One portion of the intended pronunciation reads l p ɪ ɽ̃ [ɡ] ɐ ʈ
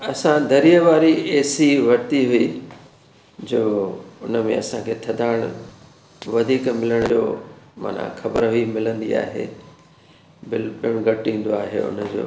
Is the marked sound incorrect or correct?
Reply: correct